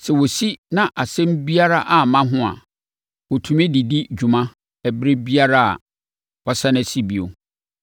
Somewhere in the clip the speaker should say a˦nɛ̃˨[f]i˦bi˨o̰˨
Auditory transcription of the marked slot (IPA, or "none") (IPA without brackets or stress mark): s